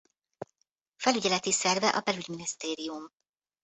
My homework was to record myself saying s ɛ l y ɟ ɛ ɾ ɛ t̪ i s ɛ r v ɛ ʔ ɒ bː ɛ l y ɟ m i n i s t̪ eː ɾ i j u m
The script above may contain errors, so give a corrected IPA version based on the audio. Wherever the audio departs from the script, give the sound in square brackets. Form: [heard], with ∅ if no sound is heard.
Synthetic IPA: [f] ɛ l y ɟ ɛ [l] ɛ t̪ i s ɛ r v ɛ ʔ ɒ [b] ɛ l y ɟ m i n i s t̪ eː ɾ i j u m